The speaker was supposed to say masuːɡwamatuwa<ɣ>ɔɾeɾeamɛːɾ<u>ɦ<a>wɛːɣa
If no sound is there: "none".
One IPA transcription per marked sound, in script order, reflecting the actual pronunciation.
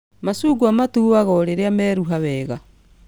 ɣ, u, a

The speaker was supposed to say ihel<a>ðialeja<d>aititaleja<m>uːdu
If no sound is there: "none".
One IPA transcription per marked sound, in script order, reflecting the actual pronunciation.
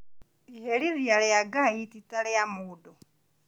i, ɡ, m

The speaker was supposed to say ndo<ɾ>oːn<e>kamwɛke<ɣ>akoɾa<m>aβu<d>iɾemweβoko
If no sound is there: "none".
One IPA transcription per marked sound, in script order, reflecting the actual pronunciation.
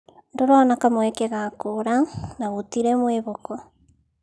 ɾ, a, ɣ, n, t

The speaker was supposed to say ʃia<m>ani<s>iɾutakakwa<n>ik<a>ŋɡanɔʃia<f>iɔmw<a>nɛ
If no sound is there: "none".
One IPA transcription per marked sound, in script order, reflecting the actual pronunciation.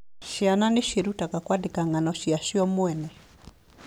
n, ʃ, d, a, ʃ, ɛ

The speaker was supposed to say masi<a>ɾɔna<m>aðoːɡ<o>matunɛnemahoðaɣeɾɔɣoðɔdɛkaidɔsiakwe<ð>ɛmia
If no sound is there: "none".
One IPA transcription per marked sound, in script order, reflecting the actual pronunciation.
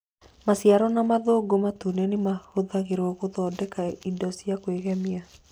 a, m, o, ɣ

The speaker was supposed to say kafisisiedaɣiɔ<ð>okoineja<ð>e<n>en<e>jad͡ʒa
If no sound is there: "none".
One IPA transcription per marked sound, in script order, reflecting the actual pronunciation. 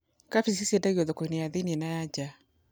ð, ð, n, a

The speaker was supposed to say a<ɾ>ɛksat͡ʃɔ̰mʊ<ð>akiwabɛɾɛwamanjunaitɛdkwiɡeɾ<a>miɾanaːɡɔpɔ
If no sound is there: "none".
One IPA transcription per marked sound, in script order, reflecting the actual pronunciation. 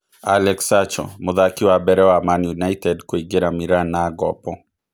l, ð, a

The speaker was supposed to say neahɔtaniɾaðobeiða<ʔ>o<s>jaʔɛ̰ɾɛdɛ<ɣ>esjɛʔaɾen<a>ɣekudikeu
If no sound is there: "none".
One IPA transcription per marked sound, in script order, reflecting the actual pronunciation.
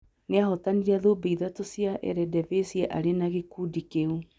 t, s, v, a

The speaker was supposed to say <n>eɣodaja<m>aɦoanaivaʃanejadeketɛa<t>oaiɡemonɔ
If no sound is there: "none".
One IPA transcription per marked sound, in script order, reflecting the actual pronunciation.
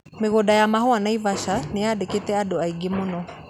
m, m, d

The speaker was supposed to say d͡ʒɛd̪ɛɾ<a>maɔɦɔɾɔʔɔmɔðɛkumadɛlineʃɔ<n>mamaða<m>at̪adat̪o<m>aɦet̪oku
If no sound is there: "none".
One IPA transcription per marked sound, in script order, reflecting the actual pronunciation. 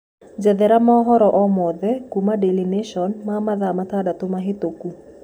a, n, m, m

